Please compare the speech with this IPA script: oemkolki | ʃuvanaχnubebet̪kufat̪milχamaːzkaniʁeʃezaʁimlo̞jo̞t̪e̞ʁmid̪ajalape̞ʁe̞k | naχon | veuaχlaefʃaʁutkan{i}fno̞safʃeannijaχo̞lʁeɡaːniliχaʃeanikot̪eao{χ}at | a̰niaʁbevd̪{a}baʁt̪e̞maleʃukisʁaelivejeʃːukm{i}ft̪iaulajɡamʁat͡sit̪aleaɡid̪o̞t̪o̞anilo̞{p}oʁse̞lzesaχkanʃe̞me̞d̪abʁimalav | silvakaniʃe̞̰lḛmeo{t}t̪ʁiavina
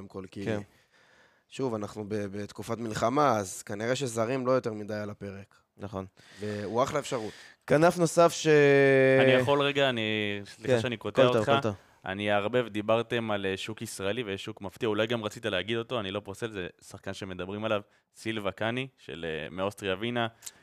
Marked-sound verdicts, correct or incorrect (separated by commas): incorrect, correct, incorrect, incorrect, correct, incorrect